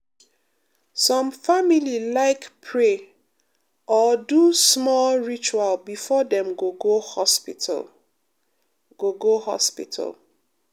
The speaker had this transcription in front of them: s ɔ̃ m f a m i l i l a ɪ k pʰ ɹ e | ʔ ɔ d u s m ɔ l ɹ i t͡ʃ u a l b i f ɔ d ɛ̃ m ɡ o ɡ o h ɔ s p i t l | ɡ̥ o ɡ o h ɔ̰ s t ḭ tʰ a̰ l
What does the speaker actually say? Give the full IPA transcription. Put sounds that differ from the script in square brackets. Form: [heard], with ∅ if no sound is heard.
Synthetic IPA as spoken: s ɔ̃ m f a m i l i l a ɪ k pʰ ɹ e | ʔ ɔ d u s m ɔ l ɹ i t͡ʃ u a l b i f ɔ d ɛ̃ m ɡ o ɡ o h ɔ s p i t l | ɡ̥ o ɡ o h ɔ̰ s [p] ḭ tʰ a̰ l